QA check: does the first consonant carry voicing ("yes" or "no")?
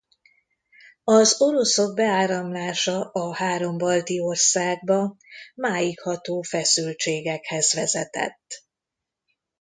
yes